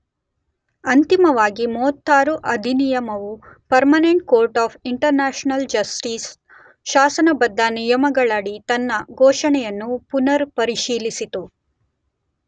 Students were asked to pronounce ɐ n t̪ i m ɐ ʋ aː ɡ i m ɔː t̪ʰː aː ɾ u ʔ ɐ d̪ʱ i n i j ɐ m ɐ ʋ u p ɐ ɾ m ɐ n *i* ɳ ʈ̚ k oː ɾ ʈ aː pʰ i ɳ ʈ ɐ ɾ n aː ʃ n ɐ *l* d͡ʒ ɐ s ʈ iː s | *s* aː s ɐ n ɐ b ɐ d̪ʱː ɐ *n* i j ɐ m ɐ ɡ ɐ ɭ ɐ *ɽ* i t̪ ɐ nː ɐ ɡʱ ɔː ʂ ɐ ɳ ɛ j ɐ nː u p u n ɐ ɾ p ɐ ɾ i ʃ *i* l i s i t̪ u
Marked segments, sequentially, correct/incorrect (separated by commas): incorrect, correct, incorrect, correct, correct, incorrect